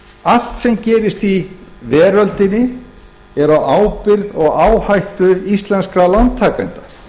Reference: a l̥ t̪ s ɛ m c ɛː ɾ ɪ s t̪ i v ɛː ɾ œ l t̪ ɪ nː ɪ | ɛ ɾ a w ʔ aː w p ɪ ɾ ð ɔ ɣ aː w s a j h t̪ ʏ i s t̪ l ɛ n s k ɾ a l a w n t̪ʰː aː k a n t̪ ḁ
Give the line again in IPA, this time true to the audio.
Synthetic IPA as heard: a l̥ t̪ s ɛ m c ɛː ɾ ɪ s t̪ i v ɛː ɾ œ l t̪ ɪ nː ɪ | ɛ ɾ a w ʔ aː w p ɪ ɾ ð ɔ ɣ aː w h a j h t̪ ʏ i s t̪ l ɛ n s k ɾ a l a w n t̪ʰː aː k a n t̪ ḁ